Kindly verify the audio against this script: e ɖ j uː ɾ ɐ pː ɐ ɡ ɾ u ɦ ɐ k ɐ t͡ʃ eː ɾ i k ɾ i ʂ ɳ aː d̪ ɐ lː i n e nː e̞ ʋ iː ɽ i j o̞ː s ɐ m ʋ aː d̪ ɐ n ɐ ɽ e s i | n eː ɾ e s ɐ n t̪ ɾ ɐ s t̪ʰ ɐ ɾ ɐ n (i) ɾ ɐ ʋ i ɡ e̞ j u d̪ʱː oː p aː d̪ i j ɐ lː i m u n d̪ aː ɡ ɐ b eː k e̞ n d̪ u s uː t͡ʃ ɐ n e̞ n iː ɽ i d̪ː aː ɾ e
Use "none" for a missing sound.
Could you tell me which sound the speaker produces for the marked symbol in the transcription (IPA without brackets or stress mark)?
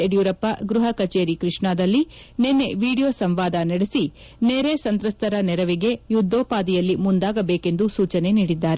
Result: ɛ